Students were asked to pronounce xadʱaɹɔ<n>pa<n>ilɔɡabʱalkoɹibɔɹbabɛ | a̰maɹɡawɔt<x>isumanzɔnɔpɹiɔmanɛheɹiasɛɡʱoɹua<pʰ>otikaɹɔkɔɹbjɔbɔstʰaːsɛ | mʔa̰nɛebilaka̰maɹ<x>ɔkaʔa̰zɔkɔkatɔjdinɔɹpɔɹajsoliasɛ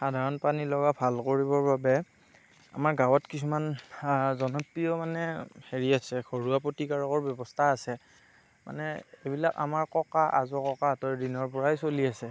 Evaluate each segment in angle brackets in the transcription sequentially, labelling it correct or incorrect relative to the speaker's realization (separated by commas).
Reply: correct, correct, incorrect, incorrect, incorrect